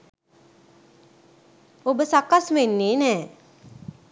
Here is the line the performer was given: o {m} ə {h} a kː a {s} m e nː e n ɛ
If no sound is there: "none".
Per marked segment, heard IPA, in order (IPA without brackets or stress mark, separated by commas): b, s, s